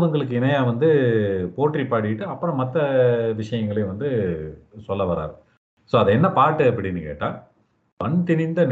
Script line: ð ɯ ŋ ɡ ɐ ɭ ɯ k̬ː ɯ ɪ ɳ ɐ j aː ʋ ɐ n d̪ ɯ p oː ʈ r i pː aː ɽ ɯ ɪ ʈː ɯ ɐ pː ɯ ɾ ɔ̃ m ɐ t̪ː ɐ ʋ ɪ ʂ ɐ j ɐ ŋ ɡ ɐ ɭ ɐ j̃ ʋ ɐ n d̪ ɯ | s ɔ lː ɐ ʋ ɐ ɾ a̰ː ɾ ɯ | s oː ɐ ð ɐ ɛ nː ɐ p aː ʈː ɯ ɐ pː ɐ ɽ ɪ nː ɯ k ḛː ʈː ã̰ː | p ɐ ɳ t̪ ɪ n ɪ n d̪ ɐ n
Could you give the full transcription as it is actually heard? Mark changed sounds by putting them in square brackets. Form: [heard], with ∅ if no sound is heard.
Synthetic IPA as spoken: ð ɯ ŋ ɡ ɐ ɭ ɯ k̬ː ɯ ɪ [n] ɐ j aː ʋ ɐ n d̪ ɯ p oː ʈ r i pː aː ɽ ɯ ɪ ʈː ɯ ɐ pː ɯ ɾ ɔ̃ m ɐ t̪ː ɐ ʋ ɪ ʂ ɐ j ɐ ŋ ɡ ɐ ɭ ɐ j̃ ʋ ɐ n d̪ ɯ | s ɔ lː ɐ ʋ ɐ ɾ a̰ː ɾ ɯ | s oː ɐ ð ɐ ɛ nː ɐ p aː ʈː ɯ ɐ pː ɐ ɽ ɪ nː ɯ k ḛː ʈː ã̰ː | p ɐ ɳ t̪ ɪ n ɪ n d̪ ɐ n